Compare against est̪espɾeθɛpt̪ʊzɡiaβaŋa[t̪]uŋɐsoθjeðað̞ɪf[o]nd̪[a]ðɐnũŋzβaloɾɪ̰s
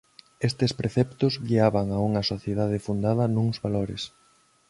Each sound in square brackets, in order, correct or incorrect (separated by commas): incorrect, incorrect, correct